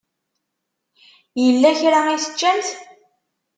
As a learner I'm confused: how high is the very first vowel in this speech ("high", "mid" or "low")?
mid